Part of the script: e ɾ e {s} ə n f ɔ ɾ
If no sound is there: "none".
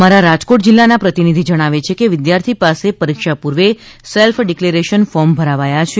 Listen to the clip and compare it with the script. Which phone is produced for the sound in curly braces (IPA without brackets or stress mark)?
ʃ